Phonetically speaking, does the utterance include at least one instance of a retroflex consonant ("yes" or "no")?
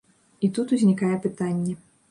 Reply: no